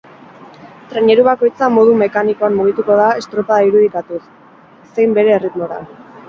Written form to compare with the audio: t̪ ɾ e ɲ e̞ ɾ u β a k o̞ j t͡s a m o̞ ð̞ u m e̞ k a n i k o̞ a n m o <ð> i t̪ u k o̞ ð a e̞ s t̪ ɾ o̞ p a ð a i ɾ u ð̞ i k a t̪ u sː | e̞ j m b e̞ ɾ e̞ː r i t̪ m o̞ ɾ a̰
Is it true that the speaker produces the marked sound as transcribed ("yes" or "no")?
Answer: no